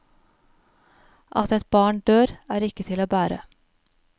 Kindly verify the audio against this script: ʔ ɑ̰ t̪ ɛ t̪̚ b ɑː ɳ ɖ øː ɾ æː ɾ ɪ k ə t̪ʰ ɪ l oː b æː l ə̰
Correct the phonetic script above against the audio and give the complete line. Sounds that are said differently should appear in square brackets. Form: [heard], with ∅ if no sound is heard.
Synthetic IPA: ʔ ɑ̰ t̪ ɛ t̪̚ b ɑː ɳ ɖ øː ɾ æː ɾ ɪ k ə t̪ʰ ɪ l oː b æː [ɾ] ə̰